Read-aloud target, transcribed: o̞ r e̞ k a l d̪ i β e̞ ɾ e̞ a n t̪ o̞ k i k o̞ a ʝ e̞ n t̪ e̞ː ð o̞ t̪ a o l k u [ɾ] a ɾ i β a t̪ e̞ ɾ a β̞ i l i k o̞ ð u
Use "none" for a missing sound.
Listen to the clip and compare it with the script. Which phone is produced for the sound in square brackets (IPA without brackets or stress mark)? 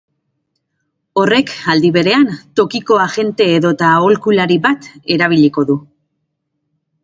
l